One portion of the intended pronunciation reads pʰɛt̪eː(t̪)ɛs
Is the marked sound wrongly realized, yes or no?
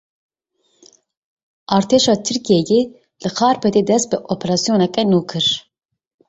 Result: yes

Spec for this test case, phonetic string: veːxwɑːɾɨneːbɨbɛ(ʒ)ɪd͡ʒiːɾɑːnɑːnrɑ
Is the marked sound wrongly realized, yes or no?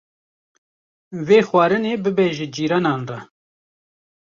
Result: no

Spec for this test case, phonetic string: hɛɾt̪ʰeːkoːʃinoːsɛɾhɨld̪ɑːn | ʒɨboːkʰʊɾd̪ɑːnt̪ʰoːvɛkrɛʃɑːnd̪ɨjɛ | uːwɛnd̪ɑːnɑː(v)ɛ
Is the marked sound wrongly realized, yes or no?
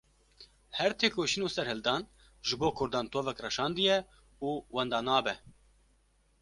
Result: yes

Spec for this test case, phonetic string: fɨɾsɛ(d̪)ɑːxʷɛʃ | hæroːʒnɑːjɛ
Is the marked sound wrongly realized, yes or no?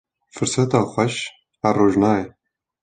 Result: yes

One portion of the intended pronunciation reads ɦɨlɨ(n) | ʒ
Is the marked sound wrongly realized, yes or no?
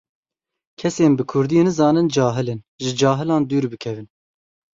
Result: no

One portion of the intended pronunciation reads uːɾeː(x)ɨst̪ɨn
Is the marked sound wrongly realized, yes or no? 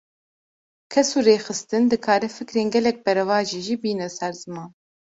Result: no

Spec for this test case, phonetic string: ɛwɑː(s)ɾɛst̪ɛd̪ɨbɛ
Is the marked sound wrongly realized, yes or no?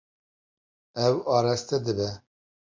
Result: yes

